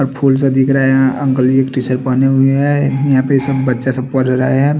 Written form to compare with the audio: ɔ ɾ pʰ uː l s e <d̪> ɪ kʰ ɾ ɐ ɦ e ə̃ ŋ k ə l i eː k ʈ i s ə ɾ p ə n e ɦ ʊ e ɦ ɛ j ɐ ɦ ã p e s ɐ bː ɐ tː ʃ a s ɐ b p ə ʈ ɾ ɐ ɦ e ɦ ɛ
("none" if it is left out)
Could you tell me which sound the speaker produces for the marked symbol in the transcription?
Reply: d̪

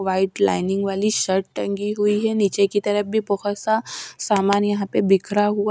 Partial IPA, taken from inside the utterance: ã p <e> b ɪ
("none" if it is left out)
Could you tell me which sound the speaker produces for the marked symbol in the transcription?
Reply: e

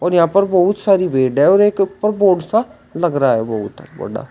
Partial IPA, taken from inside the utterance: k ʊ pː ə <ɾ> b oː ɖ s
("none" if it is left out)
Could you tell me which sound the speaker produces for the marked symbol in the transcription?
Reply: ɾ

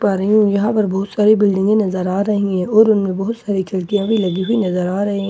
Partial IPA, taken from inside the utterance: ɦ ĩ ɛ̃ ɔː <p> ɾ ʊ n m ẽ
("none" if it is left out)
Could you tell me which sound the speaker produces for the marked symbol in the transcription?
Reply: none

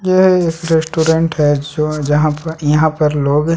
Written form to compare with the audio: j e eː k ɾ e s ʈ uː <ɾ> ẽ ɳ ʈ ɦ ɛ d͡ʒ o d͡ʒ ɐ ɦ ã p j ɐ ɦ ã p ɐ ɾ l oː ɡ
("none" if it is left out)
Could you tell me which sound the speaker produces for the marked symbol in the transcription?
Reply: ɾ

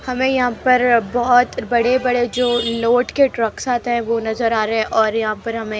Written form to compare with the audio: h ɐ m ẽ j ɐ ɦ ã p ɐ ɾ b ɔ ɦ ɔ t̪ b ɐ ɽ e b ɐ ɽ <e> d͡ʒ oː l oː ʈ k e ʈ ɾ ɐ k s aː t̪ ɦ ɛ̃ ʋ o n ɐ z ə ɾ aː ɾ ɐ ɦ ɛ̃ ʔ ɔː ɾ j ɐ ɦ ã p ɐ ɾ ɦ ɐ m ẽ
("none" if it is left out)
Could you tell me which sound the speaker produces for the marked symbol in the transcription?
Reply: e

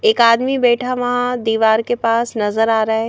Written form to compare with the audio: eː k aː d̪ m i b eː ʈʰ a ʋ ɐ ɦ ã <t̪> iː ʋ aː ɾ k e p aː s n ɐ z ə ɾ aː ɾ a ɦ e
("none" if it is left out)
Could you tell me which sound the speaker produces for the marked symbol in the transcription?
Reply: d̪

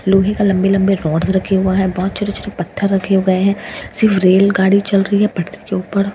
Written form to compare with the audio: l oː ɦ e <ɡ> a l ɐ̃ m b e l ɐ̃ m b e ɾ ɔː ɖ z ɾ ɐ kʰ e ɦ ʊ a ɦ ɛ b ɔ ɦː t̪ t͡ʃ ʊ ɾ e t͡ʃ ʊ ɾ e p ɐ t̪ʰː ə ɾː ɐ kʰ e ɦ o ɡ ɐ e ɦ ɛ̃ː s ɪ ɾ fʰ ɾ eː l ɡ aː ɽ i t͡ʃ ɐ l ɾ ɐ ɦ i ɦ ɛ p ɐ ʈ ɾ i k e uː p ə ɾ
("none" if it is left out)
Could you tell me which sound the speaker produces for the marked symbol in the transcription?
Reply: k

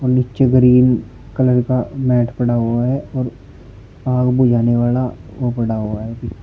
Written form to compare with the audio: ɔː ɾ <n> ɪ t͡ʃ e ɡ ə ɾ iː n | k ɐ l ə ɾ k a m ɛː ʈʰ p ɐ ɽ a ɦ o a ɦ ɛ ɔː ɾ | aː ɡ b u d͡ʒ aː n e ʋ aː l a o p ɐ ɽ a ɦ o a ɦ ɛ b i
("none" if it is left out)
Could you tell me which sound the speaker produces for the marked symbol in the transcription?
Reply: n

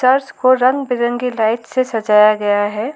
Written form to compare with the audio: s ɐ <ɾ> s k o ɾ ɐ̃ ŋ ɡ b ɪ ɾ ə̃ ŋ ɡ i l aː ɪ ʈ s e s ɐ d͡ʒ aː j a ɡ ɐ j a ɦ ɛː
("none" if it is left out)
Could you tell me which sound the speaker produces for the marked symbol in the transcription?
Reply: ɾ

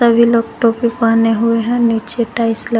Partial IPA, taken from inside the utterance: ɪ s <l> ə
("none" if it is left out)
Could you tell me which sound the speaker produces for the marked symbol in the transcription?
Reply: l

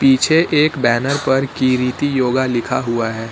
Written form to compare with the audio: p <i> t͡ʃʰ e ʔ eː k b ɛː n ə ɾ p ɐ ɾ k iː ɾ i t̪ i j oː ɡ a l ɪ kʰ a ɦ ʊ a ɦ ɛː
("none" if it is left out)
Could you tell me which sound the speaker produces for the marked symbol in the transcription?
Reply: iː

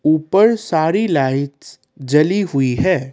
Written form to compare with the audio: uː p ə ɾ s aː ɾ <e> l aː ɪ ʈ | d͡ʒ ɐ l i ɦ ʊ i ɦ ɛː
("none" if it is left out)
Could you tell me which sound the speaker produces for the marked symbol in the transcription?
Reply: i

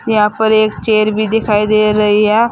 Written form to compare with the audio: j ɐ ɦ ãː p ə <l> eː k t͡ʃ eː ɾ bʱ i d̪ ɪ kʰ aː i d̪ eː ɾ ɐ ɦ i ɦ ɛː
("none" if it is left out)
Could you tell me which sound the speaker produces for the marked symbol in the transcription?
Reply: ɾ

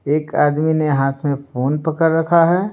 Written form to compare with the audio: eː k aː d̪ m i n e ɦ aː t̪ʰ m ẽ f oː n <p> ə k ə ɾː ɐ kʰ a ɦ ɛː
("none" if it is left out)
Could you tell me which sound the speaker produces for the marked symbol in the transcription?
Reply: p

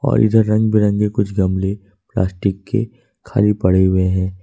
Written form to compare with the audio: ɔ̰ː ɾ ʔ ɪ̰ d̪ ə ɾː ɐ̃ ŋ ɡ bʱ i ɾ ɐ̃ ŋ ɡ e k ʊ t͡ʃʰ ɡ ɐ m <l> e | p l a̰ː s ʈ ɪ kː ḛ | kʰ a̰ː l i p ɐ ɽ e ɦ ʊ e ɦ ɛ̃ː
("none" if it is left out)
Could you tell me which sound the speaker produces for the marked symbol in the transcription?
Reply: l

